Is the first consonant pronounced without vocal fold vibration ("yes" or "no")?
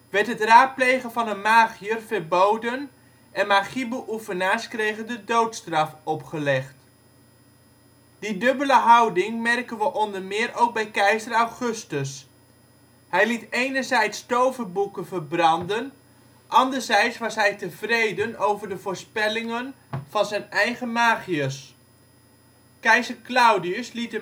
no